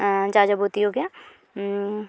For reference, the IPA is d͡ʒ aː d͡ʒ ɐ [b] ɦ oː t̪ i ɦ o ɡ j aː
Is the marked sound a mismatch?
no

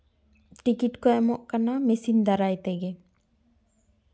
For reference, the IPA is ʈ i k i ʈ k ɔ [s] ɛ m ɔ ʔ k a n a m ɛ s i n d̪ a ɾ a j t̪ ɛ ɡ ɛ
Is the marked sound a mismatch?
yes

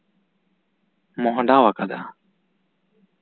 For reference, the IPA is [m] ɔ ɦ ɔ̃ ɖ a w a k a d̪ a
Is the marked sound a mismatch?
no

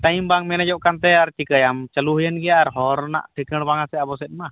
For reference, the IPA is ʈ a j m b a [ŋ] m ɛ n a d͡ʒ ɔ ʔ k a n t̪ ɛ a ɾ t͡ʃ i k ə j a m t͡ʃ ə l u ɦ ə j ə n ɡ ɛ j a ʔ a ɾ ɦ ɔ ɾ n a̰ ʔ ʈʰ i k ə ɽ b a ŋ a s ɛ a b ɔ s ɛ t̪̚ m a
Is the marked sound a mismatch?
no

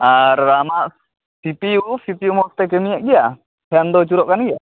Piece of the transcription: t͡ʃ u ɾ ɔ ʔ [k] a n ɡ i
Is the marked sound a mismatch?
no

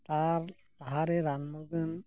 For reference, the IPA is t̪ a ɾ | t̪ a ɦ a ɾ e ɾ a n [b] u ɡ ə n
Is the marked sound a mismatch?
yes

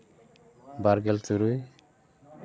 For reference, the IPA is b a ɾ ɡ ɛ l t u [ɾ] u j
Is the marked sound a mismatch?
no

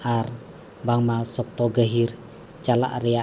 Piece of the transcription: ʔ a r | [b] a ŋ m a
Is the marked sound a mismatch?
no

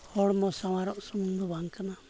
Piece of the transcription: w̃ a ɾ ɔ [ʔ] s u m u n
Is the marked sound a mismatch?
no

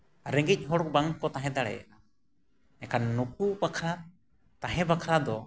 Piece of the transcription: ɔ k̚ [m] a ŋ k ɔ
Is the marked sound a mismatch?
yes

